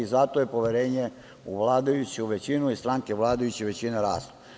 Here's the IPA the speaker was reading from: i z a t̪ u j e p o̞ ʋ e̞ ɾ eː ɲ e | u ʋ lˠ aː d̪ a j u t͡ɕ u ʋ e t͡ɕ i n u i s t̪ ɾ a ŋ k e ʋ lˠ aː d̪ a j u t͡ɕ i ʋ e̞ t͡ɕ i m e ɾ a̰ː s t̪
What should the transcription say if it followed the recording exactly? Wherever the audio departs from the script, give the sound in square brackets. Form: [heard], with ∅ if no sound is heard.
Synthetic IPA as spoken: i z a t̪ [o] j e p o̞ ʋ e̞ ɾ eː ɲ e | u ʋ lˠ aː d̪ a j u t͡ɕ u ʋ e t͡ɕ i n u i s t̪ ɾ a ŋ k e ʋ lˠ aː d̪ a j u t͡ɕ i ʋ e̞ t͡ɕ i [n] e ɾ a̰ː s t̪